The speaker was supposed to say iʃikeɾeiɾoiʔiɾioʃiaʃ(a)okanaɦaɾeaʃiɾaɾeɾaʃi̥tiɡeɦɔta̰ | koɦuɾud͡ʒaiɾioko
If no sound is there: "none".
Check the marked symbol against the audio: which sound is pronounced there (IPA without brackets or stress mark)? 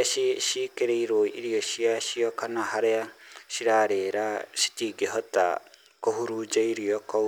i